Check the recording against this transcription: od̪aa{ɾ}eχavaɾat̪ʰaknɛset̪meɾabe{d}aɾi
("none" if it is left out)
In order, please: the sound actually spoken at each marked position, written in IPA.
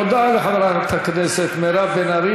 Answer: l, n

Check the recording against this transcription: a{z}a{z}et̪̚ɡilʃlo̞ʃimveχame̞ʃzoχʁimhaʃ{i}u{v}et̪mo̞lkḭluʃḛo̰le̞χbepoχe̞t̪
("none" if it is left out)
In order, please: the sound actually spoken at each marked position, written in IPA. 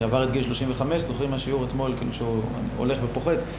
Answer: v, ʁ, i, ʁ

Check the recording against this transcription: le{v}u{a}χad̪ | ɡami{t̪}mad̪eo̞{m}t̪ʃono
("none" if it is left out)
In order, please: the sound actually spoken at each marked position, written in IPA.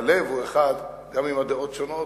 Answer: v, e, none, none

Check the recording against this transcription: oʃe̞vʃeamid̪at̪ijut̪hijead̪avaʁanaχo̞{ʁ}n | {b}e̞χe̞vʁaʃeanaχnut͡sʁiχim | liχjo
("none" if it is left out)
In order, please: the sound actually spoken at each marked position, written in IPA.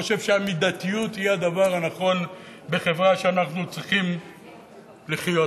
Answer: none, b

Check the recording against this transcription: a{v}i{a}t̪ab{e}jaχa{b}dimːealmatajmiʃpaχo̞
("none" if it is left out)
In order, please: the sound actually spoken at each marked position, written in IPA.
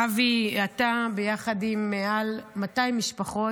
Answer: v, a, e, none

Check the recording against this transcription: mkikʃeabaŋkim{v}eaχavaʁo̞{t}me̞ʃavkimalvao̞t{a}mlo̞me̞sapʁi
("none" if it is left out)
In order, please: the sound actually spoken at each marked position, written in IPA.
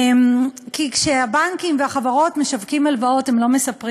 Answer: v, t, e

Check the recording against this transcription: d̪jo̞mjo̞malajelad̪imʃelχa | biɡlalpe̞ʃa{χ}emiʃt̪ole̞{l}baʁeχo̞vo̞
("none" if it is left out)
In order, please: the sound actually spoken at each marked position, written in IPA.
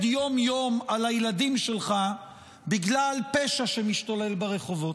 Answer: ʃ, l

